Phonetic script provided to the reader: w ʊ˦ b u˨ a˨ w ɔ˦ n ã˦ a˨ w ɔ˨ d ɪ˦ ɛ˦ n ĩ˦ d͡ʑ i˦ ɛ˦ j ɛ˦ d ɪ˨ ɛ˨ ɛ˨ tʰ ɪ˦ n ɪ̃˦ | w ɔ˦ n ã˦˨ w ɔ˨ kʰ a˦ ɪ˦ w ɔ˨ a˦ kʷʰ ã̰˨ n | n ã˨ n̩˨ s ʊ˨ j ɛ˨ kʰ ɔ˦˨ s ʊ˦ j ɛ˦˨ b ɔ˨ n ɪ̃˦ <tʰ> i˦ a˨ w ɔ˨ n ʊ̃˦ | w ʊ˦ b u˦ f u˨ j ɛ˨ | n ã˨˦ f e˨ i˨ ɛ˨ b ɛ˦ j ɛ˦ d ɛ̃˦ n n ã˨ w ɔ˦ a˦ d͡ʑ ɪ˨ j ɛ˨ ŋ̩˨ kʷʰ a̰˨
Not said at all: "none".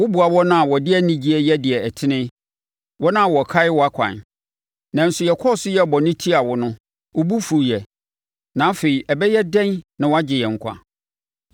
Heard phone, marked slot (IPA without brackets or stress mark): tʰ